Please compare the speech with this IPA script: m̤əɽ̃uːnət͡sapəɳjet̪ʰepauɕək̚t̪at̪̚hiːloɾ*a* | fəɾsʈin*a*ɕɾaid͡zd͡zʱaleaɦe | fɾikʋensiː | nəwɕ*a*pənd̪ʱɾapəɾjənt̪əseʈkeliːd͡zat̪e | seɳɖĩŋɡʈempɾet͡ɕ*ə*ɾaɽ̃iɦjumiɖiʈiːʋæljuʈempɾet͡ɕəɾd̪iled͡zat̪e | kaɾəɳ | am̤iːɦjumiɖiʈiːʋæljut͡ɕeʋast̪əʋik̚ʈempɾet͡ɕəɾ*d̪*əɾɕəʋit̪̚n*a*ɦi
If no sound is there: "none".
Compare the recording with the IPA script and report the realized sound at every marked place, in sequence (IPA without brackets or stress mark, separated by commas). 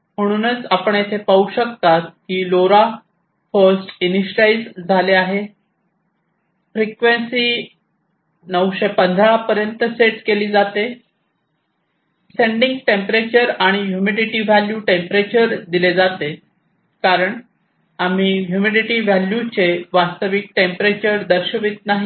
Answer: a, i, e, ə, d̪, a